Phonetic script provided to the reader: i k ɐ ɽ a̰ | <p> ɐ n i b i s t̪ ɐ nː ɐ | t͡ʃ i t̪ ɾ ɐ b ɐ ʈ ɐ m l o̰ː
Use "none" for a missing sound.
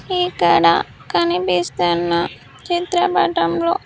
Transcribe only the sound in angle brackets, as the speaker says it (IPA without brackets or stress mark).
k